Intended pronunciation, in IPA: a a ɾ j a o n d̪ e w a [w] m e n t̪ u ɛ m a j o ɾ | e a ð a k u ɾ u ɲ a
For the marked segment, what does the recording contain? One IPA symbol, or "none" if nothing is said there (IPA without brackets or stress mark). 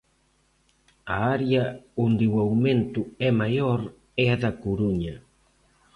w